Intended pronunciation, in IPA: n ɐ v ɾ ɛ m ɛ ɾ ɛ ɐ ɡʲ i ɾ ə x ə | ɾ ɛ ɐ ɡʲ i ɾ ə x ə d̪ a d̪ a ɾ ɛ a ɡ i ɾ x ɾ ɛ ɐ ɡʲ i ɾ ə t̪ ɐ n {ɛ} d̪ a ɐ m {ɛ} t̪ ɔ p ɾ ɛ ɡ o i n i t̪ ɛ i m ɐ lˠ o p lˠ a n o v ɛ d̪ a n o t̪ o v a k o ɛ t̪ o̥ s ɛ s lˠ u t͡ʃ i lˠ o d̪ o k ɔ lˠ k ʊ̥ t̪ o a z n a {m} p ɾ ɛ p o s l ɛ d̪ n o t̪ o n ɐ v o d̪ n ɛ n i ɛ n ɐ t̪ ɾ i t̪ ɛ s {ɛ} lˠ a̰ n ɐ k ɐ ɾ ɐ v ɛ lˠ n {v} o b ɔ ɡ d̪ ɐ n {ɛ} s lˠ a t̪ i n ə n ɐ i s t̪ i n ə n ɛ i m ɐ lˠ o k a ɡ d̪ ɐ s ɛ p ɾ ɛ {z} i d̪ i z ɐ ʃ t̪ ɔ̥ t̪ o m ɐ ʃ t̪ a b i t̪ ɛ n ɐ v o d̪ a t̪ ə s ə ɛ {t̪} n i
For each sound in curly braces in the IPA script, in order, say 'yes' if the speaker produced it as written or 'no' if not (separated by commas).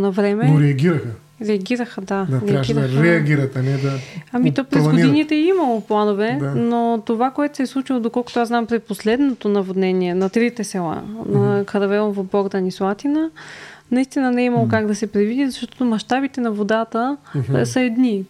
yes, no, yes, yes, yes, no, no, no